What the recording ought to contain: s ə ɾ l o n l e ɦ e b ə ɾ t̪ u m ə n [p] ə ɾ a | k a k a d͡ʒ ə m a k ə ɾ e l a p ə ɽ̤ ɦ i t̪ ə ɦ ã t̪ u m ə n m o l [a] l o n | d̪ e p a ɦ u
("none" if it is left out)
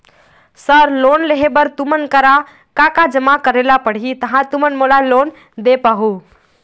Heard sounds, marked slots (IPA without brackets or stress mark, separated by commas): k, a